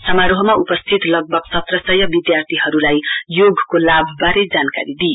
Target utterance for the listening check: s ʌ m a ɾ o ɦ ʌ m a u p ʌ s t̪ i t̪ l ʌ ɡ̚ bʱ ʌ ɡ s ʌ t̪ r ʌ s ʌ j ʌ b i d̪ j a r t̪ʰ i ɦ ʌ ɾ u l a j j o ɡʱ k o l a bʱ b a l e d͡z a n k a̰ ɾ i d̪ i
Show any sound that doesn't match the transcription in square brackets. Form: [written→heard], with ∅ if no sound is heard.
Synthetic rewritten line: s ʌ m a ɾ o ɦ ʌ m a u p ʌ s [t̪→t̪ʰ] i t̪ l ʌ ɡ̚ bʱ ʌ ɡ s ʌ t̪ r ʌ s ʌ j ʌ b i d̪ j a r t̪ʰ i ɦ ʌ ɾ u l a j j o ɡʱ k o l a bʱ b a [l→ɾ] e d͡z a n k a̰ ɾ i d̪ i